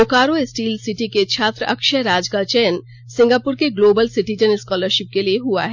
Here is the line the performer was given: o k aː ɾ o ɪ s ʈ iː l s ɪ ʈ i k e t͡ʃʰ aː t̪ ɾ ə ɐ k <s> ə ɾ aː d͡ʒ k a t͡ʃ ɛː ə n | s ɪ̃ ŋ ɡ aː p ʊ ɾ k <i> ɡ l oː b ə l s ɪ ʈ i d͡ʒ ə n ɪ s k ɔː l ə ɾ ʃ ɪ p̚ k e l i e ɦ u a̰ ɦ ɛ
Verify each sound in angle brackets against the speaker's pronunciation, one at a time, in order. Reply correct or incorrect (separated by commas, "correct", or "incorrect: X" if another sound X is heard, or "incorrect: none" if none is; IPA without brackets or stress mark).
incorrect: ʃ, incorrect: e